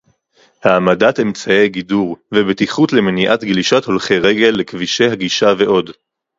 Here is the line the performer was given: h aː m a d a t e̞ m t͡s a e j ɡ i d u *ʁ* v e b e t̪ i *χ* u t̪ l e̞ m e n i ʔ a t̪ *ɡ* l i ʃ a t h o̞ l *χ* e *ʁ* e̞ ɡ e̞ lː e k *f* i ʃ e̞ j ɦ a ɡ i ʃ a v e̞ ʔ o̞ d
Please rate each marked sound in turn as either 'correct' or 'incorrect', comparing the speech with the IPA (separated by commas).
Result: correct, correct, correct, correct, correct, incorrect